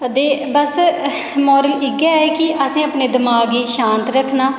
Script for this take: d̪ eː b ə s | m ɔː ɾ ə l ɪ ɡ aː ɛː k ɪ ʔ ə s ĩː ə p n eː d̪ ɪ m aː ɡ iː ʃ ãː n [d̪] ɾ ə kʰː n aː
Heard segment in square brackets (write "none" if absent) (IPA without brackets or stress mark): t̪